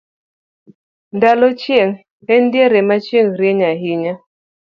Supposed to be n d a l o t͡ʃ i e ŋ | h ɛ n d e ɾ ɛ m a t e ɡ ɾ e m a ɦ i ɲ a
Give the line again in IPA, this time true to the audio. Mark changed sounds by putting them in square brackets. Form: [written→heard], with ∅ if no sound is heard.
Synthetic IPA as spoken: n d a l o t͡ʃ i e ŋ | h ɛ n d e ɾ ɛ m a [t→t͡ʃ] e [ɡ→ŋ] ɾ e [m→ɲ] a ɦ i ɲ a